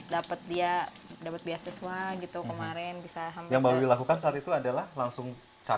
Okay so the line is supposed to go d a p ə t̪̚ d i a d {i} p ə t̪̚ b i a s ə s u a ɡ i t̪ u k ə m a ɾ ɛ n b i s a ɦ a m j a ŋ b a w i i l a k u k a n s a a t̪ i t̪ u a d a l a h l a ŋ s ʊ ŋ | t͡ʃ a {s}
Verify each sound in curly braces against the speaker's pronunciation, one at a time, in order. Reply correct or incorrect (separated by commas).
incorrect, incorrect